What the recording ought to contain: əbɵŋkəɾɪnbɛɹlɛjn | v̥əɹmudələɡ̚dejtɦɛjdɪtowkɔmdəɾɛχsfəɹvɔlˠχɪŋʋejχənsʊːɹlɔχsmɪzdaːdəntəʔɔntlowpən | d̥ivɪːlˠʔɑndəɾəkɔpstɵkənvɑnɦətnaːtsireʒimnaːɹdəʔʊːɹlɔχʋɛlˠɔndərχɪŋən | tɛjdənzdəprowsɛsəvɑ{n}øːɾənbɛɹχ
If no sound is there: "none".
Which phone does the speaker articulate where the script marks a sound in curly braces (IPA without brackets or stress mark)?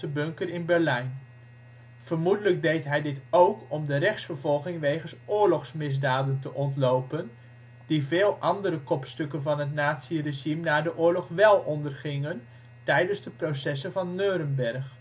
nː